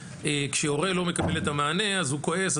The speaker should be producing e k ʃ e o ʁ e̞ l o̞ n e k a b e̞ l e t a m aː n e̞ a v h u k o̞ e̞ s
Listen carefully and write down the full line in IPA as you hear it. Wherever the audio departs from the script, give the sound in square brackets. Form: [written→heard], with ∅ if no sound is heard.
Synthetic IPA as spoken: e k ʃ e o ʁ e̞ l o̞ [n→m] e k a b e̞ l e t a m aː n e̞ a [v→z] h u k o̞ e̞ s